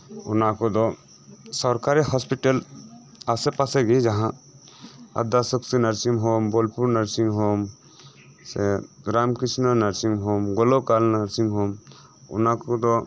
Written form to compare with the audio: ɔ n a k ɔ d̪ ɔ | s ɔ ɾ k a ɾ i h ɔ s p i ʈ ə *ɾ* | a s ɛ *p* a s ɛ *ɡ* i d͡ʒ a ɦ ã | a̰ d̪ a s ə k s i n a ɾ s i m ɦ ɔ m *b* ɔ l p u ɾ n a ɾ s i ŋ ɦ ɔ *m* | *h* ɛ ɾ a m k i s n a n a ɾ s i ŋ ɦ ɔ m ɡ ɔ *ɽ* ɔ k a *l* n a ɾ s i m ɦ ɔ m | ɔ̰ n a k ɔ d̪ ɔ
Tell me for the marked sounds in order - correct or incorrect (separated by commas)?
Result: incorrect, correct, correct, correct, correct, incorrect, incorrect, correct